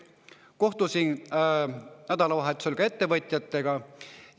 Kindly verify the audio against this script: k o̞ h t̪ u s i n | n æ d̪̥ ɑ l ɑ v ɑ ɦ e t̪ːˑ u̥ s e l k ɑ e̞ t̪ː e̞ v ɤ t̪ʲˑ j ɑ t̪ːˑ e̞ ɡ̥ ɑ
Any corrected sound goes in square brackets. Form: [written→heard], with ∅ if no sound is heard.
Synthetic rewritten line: k o̞ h t̪ u s i n | n æ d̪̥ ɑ l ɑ v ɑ ɦ e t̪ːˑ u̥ s e l k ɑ e̞ t̪ː e̞ v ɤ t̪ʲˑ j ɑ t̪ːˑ e̞ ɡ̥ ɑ